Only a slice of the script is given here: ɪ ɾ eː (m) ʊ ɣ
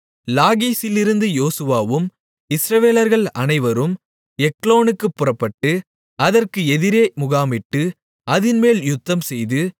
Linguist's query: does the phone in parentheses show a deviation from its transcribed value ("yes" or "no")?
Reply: no